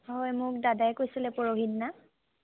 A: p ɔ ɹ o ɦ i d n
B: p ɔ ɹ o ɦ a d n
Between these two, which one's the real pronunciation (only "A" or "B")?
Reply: A